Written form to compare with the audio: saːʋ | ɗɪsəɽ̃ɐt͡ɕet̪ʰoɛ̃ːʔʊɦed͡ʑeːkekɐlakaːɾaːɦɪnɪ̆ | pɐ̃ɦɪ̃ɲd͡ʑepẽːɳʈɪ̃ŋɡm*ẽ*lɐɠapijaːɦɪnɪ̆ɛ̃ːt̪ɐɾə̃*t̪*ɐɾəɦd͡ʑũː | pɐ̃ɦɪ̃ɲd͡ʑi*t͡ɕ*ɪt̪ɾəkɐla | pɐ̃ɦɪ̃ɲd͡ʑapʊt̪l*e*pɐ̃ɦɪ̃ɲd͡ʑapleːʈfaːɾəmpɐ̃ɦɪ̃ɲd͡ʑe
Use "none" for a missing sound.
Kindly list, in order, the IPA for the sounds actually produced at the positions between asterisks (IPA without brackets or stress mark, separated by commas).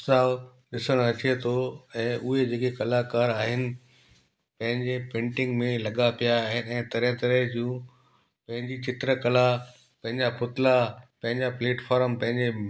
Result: ẽ, t̪, t͡ɕ, a